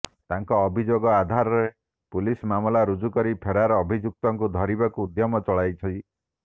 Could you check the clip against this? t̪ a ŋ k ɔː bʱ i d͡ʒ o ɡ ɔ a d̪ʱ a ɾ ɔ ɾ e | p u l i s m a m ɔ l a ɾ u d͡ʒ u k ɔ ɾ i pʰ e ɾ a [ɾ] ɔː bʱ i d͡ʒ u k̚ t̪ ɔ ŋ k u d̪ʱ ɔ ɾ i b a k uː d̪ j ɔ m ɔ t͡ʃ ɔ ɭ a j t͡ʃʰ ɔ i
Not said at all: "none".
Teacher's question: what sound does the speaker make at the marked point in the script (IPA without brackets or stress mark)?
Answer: ɾ